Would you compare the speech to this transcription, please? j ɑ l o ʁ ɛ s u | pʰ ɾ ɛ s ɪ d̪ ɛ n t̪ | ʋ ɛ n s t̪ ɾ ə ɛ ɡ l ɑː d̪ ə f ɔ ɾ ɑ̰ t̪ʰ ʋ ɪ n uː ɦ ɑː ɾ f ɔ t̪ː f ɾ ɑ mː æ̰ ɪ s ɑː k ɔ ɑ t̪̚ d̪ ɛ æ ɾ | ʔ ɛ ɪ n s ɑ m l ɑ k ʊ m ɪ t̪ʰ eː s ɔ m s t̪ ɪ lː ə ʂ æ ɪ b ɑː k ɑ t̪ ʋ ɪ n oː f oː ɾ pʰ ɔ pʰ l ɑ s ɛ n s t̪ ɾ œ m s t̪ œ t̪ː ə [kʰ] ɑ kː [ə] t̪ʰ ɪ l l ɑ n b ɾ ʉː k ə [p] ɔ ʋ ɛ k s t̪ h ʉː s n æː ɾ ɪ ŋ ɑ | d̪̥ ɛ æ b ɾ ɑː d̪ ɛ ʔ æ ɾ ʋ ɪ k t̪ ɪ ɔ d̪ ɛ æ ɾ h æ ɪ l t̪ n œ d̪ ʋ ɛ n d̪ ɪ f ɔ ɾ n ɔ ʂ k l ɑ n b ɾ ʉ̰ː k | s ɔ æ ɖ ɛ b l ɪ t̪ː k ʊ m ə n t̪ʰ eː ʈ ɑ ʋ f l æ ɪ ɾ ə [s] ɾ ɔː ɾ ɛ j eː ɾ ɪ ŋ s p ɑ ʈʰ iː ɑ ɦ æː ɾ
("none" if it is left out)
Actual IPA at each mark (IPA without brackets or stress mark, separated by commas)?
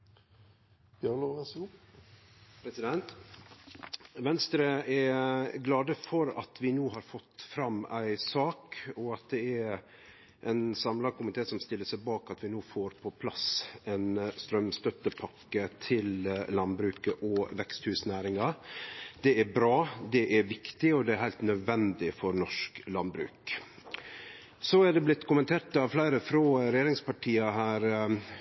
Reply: pʰ, ə, ʔ, f